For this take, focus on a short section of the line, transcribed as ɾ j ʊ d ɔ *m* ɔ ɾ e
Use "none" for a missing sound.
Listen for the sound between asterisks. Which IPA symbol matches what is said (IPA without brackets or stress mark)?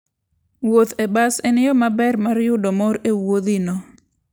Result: m